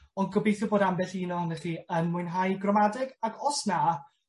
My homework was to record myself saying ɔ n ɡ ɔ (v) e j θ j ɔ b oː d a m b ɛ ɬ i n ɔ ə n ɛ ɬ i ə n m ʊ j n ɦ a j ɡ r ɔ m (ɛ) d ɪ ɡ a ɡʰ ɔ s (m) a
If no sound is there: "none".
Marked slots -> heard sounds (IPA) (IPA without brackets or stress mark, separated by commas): b, a, n